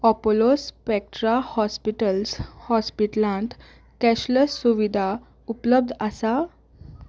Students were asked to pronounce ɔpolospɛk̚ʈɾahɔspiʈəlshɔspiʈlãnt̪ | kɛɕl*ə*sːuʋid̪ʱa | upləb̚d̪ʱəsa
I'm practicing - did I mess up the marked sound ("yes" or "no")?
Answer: no